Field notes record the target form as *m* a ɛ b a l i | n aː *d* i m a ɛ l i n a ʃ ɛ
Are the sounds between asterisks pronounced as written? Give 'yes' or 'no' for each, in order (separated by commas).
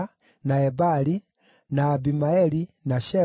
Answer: no, no